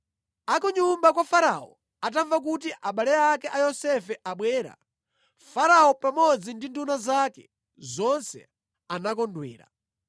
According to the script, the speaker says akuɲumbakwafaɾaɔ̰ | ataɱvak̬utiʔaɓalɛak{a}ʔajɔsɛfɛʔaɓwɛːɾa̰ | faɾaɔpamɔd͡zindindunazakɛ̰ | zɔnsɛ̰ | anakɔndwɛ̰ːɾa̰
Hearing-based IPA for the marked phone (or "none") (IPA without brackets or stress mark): ɛ